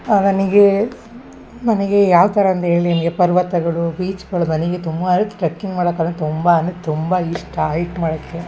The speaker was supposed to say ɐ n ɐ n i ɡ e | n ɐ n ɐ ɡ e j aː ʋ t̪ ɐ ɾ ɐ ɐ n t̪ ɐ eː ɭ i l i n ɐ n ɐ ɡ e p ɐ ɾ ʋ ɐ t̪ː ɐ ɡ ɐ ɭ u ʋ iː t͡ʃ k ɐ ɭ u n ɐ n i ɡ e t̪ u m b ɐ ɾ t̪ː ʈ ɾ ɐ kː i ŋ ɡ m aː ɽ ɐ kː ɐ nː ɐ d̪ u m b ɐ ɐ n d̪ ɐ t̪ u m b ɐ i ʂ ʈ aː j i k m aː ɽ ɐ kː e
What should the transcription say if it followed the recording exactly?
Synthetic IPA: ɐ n ɐ n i ɡ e | n ɐ n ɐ ɡ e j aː ʋ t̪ ɐ ɾ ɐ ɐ n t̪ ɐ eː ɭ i l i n ɐ n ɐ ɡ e p ɐ ɾ ʋ ɐ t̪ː ɐ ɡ ɐ ɭ u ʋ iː t͡ʃ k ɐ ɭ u n ɐ n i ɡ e t̪ u m b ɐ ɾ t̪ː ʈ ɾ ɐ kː i ŋ ɡ m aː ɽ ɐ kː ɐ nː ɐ t̪ u m b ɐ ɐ n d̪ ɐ t̪ u m b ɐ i ʂ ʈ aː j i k m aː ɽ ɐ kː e

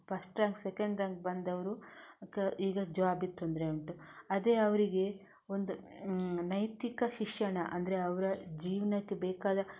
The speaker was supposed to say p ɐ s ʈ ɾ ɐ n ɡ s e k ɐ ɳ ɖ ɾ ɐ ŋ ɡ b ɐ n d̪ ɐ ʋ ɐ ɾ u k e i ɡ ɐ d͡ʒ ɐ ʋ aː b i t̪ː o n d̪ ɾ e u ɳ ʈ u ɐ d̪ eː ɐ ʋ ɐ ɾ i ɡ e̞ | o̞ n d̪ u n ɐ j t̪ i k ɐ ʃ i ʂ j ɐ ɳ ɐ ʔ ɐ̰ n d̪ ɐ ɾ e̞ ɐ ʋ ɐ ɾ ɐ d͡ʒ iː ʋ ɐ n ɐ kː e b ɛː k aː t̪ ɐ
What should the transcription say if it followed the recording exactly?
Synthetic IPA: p ɐ s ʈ ɾ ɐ ŋ ɡ s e k ɐ ɳ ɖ ɾ ɐ ŋ ɡ b ɐ n d̪ ɐ ʋ ɐ ɾ u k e iː ɡ ɐ d͡ʒ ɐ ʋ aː b i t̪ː o n d̪ ɾ e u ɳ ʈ u ɐ d̪ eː ɐ ʋ ɐ ɾ i ɡ e̞ | o̞ n d̪ u n ɐ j t̪ i k ɐ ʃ i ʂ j ɐ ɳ ɐ ʔ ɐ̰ n d̪ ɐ ɾ e̞ ɐ ʋ ɐ ɾ ɐ d͡ʒ iː ʋ ɐ n ɐ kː e b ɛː k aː d̪ ɐ

